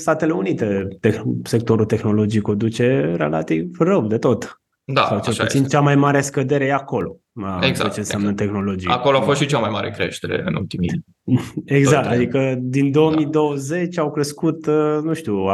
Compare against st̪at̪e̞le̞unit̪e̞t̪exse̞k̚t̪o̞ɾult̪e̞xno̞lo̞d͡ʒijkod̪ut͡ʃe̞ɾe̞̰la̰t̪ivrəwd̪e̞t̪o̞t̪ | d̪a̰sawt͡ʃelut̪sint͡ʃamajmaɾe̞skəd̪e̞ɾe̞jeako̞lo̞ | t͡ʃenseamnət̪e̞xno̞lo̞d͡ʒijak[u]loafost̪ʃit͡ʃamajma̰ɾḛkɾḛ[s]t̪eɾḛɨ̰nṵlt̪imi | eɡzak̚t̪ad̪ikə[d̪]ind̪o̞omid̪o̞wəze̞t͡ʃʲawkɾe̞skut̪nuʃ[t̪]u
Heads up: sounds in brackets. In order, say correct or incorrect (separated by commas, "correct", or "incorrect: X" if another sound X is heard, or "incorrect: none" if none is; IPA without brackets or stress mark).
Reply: incorrect: o, incorrect: ʃ, correct, correct